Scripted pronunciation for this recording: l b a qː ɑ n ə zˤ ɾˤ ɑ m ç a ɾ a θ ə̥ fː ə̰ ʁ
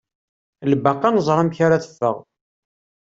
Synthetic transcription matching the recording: l b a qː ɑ n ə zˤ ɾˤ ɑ m ç a ɾ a θ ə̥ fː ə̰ ʁ

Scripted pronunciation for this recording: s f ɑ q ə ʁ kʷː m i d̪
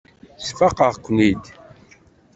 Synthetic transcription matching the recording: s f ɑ q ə ʁ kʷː n i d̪

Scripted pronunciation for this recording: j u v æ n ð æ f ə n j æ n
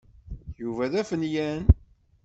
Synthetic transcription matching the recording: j u v æ ð æ f ə n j æ n

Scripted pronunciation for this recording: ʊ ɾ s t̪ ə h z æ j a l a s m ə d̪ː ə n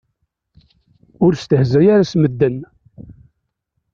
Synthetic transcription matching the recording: ʊ ɾ s t̪ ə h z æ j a ɾ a s m ə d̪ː ə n

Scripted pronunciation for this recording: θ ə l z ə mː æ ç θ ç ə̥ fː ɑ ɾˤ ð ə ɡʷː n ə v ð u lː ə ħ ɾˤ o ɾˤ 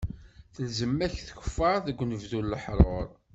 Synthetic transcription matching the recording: θ ə l z ə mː æ ç θ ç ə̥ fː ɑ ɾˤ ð ə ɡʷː n ə v ð u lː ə ħ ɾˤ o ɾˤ

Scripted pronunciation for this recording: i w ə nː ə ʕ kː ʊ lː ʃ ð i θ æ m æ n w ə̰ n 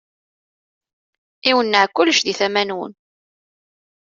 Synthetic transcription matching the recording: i w ə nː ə ʕ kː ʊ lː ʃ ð i θ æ m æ n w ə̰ n

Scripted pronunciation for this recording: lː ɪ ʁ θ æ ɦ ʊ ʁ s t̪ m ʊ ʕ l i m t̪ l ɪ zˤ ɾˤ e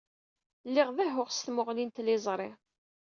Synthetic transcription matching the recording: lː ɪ ʁ ð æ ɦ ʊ ʁ s t̪ m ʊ ʁ l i n t̪ l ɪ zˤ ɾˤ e

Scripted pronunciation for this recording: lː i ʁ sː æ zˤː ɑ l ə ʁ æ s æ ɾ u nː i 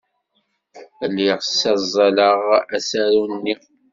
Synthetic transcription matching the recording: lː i ʁ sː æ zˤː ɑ l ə ʁ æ s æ ɾ u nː i

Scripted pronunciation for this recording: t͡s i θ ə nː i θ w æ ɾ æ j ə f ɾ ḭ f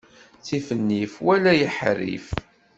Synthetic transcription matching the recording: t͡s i f ə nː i f w æ l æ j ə ħ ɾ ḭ f

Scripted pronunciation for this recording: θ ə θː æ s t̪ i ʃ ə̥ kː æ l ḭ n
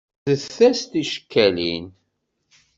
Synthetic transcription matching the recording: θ ə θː æ s t̪ i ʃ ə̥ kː æ l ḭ n

